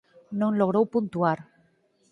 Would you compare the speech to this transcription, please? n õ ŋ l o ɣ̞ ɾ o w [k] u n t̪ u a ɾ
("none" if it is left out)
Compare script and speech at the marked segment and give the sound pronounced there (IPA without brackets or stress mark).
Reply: p